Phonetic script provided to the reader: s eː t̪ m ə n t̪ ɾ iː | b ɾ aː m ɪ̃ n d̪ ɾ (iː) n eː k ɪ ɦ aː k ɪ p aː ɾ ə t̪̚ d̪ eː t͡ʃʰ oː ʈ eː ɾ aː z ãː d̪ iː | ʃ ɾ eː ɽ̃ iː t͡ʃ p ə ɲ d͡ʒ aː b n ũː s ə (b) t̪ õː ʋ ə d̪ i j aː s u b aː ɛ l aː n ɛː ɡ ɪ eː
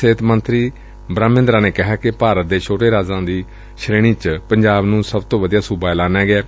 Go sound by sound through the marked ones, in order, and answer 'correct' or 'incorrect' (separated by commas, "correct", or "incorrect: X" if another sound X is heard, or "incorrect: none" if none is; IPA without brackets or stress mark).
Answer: incorrect: aː, correct